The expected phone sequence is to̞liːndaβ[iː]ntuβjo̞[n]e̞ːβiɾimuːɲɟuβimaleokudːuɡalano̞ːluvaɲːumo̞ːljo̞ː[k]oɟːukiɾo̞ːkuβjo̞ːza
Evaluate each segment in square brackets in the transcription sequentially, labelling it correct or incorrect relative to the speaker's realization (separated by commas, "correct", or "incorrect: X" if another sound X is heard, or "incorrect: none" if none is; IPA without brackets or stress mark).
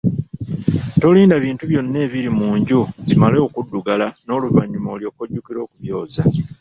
correct, incorrect: nː, correct